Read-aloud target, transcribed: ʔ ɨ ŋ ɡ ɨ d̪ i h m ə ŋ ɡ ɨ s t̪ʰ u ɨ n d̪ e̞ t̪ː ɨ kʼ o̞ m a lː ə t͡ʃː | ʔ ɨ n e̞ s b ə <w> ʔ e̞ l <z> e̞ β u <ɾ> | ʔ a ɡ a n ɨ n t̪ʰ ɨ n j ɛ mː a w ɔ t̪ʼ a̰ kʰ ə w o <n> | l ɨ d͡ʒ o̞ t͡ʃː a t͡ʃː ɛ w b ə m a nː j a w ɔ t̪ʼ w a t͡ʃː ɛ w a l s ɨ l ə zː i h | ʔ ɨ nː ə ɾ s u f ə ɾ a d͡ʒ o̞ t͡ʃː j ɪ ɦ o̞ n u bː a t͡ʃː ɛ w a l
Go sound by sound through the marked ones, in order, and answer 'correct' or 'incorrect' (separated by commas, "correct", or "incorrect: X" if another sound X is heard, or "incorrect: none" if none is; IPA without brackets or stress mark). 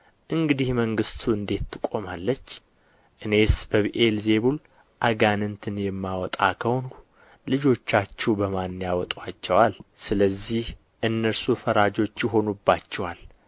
incorrect: β, correct, incorrect: l, correct